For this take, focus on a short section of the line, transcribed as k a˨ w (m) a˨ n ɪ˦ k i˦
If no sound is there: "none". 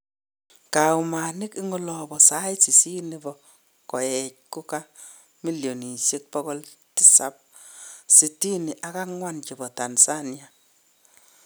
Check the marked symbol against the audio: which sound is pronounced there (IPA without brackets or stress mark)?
m